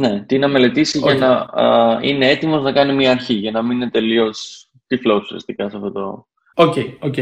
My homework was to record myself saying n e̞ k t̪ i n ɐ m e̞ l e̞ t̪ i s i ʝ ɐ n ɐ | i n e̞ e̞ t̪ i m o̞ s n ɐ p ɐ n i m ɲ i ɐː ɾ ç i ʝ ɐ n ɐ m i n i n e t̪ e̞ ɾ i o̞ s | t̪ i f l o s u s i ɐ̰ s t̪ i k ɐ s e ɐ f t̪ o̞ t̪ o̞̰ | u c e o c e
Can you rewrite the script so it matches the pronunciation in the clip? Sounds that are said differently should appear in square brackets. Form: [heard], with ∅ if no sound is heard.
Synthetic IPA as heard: n e̞ [∅] t̪ i n ɐ m e̞ l e̞ t̪ i s i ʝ ɐ n ɐ | i n e̞ e̞ t̪ i m o̞ [z] n ɐ [k] ɐ n i m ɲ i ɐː ɾ ç i ʝ ɐ n ɐ m i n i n e t̪ e̞ [l] i o̞ s | t̪ i f l o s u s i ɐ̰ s t̪ i k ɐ s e ɐ f t̪ o̞ t̪ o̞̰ | [o] c e o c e